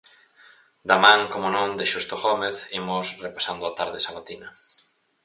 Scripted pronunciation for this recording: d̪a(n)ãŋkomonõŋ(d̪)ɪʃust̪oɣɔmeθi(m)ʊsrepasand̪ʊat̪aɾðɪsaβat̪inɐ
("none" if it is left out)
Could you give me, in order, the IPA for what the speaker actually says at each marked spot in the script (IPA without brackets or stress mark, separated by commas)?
m, d̪, m